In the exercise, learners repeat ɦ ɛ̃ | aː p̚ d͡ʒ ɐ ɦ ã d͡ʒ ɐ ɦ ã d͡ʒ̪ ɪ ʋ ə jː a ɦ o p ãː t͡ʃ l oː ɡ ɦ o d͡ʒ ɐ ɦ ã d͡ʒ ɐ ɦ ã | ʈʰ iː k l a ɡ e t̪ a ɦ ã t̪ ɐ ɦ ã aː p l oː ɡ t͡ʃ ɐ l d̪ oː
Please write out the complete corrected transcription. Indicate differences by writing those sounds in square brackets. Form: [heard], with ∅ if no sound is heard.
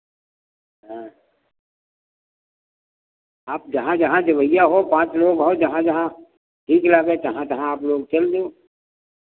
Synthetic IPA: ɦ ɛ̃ | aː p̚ d͡ʒ ɐ ɦ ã d͡ʒ ɐ ɦ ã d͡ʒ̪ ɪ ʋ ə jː a ɦ o p ãː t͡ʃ l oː ɡ ɦ o d͡ʒ ɐ ɦ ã d͡ʒ ɐ ɦ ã | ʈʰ iː k l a ɡ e t̪ [ɐ] ɦ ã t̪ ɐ ɦ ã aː p l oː ɡ t͡ʃ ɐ l d̪ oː